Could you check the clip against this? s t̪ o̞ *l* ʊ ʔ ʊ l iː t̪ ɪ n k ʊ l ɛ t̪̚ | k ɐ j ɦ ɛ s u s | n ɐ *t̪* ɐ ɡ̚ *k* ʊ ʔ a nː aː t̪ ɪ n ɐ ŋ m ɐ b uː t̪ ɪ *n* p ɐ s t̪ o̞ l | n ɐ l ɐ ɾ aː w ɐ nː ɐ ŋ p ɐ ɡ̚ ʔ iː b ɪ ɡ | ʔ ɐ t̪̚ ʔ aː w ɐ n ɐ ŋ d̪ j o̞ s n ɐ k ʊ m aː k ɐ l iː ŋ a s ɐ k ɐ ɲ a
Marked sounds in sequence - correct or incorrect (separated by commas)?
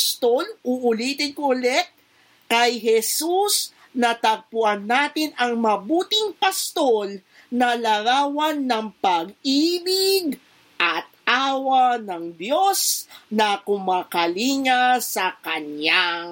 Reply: correct, correct, incorrect, incorrect